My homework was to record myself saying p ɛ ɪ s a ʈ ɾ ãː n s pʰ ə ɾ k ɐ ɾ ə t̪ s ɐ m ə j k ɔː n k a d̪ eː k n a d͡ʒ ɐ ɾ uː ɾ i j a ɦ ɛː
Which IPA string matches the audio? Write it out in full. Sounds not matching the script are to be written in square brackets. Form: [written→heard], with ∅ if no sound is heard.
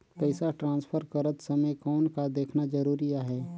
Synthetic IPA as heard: p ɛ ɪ s a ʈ ɾ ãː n s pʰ ə ɾ k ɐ ɾ ə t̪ s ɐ m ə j k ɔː n k a d̪ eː [k→kʰ] n a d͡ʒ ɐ ɾ uː ɾ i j a ɦ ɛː